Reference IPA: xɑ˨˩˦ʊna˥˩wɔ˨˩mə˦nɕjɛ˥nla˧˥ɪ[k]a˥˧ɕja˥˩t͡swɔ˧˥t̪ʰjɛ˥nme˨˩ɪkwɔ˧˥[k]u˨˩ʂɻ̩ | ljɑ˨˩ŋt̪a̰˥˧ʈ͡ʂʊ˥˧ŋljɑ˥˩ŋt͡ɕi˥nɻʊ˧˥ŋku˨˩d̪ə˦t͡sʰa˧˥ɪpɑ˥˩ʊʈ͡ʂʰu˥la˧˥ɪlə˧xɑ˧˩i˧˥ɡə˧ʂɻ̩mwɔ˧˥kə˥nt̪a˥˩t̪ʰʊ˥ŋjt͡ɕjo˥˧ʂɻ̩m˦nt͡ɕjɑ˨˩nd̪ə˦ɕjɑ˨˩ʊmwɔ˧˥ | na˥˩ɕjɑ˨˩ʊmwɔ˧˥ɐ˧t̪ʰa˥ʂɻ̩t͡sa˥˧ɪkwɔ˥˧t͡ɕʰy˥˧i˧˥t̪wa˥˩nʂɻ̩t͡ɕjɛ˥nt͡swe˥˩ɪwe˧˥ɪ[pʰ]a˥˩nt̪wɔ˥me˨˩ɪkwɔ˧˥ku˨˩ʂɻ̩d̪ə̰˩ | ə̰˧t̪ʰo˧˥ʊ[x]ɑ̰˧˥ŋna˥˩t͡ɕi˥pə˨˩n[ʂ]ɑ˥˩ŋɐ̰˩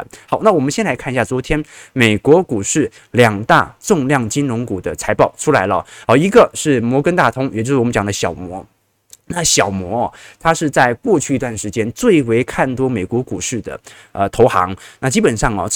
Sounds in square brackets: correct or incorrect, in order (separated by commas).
incorrect, correct, incorrect, correct, correct